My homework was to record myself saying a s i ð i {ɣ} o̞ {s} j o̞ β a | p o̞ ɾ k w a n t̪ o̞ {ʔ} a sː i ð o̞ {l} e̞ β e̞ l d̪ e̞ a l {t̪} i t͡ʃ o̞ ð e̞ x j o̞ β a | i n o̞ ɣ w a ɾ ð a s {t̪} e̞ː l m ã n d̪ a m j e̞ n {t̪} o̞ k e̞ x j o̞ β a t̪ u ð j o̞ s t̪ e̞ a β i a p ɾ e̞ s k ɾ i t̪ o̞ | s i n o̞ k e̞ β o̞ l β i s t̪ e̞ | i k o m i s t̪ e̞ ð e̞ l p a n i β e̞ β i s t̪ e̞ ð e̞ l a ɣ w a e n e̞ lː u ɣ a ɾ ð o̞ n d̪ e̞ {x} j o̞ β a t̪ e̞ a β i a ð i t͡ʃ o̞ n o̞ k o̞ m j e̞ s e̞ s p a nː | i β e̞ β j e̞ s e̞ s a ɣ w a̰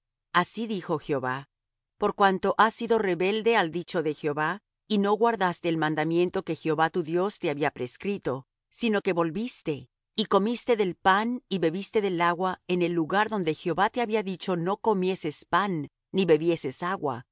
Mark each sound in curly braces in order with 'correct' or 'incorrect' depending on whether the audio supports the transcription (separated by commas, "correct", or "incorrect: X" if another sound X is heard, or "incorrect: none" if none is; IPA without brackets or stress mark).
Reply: incorrect: x, incorrect: x, correct, incorrect: r, incorrect: d̪, correct, correct, correct